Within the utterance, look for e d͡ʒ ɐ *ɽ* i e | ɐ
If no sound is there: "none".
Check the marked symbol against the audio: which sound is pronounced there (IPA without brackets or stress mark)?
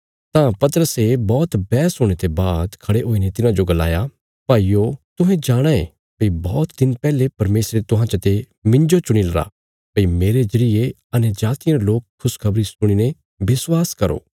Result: ɾ